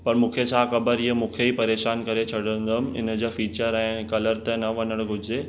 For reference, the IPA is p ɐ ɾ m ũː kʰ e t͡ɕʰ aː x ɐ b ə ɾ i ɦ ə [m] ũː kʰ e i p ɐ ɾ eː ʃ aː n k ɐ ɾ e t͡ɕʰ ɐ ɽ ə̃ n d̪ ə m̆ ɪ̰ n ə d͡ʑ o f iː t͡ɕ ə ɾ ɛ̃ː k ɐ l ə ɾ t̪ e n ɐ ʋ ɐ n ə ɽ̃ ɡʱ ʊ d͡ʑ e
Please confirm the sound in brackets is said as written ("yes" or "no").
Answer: yes